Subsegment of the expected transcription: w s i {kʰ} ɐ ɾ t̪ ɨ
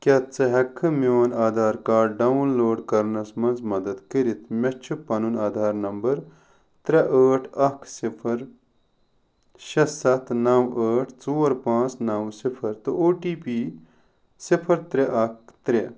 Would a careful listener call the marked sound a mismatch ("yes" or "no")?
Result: yes